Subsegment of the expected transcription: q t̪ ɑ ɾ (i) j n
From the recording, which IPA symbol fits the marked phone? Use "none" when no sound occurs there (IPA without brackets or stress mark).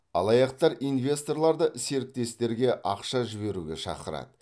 i